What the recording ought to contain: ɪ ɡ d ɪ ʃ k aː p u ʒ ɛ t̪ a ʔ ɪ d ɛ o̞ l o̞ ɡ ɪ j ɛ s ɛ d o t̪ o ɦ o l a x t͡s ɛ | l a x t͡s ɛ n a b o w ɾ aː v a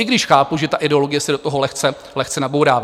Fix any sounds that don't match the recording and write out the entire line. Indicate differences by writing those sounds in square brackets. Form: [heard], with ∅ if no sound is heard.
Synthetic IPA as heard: ɪ ɡ d ɪ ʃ [x] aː p u ʒ ɛ t̪ a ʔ ɪ d ɛ o̞ l o̞ ɡ ɪ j ɛ s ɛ d o t̪ o ɦ o l [ɛ] x t͡s ɛ | l [ɛ] x t͡s ɛ n a b o w ɾ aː v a

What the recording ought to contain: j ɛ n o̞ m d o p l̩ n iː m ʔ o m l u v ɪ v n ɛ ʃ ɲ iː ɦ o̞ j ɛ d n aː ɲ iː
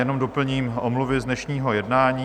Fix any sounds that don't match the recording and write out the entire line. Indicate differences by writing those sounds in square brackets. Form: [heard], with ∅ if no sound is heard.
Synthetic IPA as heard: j ɛ n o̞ m d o p l̩ [ɲ] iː m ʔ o m l u v ɪ [z] n ɛ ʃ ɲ iː ɦ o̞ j ɛ d n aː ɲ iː

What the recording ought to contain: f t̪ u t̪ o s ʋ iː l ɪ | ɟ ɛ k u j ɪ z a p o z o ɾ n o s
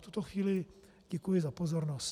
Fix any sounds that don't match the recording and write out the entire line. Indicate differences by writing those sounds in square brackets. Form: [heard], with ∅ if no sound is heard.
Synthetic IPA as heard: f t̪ u t̪ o [x] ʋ iː l ɪ | ɟ ɛ k u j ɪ z a p o z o ɾ n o s

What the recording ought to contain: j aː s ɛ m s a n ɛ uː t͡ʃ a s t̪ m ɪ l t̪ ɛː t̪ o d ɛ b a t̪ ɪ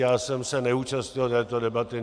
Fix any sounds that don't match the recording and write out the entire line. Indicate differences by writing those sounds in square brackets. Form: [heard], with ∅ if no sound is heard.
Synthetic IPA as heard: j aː s ɛ m s [ɛ] n ɛ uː t͡ʃ a s t̪ [ɲ] ɪ l t̪ ɛː t̪ o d ɛ b a t̪ ɪ

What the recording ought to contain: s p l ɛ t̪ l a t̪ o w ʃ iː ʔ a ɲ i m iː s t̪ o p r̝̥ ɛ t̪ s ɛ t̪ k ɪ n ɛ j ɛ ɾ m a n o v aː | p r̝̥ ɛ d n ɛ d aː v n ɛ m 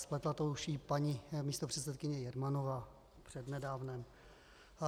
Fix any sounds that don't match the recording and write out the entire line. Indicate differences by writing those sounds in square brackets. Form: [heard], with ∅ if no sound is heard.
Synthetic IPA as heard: s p l ɛ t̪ l a t̪ o w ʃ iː [p] a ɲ i m iː s t̪ o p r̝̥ ɛ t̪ s ɛ t̪ k ɪ [ɲ] ɛ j ɛ ɾ m a n o v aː | p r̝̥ ɛ d n ɛ d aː v n ɛ m

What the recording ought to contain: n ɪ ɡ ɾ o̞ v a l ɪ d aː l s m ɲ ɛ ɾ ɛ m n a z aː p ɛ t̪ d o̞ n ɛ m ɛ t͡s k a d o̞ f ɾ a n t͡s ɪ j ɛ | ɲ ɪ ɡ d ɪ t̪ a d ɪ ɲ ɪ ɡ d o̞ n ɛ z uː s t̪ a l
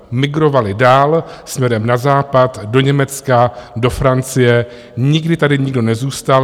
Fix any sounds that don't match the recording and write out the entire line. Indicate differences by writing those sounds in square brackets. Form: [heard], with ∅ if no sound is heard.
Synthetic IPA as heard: [m] ɪ ɡ ɾ o̞ v a l ɪ d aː l s m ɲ ɛ ɾ ɛ m n a z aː p [a] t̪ d o̞ [ɲ] ɛ m ɛ t͡s k a d o̞ f ɾ a n t͡s ɪ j ɛ | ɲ ɪ ɡ d ɪ t̪ a d ɪ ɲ ɪ ɡ d o̞ n ɛ z uː s t̪ a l

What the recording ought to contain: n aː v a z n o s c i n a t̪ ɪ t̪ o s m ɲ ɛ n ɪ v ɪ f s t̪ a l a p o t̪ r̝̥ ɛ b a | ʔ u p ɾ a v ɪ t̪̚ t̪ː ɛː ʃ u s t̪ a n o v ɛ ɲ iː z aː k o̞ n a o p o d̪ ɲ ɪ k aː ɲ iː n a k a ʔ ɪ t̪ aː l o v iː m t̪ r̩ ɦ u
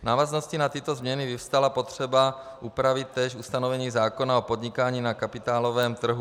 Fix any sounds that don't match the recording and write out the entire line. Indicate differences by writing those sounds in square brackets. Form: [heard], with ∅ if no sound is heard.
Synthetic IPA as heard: n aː v a z n o s c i n a t̪ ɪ t̪ o [z] m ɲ ɛ n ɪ v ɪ f s t̪ a l a p o t̪ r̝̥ ɛ b a | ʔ u p ɾ a v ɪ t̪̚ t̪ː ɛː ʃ u s t̪ a n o v ɛ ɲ iː z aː k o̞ n a o p o d̪ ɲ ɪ k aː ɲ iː n a k a [p] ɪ t̪ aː l o v [ɛː] m t̪ r̩ ɦ u

